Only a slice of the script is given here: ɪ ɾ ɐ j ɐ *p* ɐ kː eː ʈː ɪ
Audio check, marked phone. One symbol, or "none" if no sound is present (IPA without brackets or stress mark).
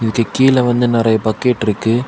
p